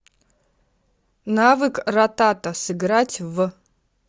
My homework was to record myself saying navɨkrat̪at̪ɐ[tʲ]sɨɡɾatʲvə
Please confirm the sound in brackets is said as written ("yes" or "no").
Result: no